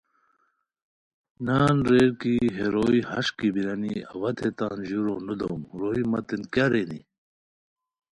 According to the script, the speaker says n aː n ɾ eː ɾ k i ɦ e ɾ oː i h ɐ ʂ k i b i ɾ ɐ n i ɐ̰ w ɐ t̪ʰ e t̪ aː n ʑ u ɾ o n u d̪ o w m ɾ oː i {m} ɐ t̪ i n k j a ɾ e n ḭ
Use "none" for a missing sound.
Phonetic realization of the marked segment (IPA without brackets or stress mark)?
m